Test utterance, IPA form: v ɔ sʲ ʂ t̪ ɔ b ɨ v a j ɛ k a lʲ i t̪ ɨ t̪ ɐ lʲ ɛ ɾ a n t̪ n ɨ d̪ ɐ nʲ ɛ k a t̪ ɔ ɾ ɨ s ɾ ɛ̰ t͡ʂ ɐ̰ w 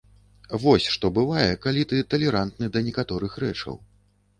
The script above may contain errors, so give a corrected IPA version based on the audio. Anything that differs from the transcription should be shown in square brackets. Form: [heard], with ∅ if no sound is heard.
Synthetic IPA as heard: v ɔ sʲ ʂ t̪ ɔ b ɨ v a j ɛ k a lʲ i t̪ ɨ t̪ ɐ lʲ ɛ ɾ a n t̪ n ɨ d̪ ɐ nʲ ɛ k a t̪ ɔ ɾ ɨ [x] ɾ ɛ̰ t͡ʂ ɐ̰ w